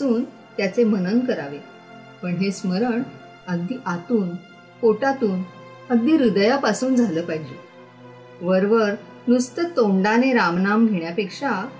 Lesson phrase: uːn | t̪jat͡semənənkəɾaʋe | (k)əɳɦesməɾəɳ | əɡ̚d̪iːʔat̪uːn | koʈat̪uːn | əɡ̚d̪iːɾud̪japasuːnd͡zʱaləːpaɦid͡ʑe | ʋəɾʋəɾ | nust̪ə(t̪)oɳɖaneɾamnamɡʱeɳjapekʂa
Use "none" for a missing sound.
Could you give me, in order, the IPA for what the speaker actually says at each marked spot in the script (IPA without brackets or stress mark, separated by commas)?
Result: p, t̪